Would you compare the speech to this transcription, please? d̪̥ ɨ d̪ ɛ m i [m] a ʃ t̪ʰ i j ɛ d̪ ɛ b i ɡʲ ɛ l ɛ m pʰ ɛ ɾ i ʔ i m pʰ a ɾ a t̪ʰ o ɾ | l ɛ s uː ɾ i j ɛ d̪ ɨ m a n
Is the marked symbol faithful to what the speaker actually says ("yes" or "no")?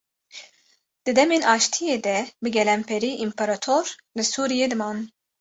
no